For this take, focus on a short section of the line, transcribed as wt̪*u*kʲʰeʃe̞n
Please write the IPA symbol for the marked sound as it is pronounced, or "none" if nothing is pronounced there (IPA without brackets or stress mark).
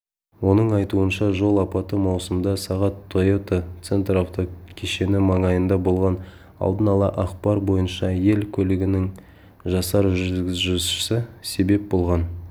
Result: o